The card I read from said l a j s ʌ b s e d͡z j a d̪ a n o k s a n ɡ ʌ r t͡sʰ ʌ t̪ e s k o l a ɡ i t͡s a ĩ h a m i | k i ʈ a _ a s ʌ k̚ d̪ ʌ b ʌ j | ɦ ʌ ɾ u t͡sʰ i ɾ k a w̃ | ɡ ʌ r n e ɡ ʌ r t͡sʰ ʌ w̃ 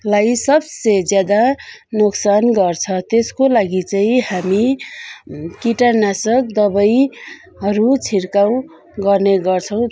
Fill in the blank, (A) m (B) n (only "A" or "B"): B